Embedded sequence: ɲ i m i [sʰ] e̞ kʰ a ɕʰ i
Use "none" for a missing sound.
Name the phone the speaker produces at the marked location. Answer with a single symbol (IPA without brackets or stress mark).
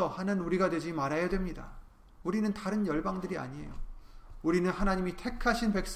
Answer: tʰ